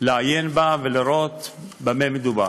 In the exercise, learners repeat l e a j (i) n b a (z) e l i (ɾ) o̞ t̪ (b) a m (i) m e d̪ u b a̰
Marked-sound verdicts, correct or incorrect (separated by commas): incorrect, incorrect, correct, correct, incorrect